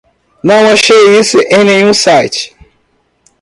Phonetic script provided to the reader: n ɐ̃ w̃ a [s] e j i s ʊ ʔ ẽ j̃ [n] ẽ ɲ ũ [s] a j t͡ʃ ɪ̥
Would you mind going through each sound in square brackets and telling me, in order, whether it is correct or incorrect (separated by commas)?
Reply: incorrect, correct, correct